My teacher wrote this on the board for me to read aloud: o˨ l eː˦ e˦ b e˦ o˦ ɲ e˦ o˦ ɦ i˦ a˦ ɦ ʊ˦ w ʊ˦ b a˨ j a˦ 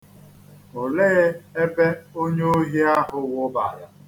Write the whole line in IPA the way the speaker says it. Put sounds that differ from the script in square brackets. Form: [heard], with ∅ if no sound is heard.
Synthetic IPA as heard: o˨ l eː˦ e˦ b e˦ o˦ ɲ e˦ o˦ ɦ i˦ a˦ ɦ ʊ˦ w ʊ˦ b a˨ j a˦